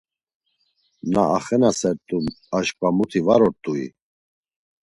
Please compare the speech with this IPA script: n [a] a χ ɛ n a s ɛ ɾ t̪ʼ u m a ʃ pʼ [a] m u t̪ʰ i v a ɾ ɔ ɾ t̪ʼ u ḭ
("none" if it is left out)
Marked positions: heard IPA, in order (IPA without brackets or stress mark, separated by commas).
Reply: a, a